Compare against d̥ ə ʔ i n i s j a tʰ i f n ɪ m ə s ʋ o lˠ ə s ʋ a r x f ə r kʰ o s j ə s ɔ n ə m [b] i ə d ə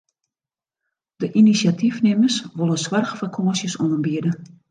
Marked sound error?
no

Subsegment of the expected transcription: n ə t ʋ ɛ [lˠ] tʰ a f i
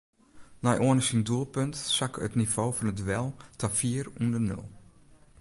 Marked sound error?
no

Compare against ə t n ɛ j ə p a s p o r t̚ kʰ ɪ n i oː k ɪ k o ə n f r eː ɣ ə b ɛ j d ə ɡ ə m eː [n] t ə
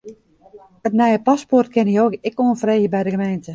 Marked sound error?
no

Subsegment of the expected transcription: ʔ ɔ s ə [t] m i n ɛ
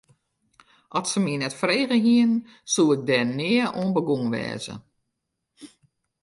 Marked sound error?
yes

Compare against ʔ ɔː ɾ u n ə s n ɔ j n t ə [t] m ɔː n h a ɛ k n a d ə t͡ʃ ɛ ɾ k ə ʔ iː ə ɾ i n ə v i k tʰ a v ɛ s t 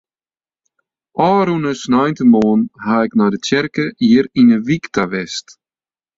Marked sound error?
yes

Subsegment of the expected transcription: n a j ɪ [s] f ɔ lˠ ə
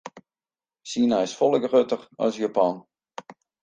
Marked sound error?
no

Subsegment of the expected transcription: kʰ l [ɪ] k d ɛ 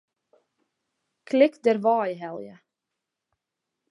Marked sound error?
no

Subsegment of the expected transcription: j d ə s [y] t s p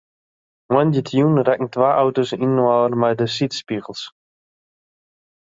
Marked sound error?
yes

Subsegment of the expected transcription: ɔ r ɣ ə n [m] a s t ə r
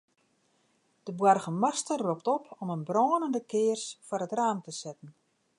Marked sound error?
no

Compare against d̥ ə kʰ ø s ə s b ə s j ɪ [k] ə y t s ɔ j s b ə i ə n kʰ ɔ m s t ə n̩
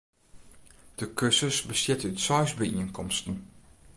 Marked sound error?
yes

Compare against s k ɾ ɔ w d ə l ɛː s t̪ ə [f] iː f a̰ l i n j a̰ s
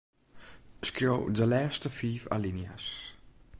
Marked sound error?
no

